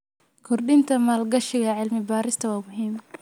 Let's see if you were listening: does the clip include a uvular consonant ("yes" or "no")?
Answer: no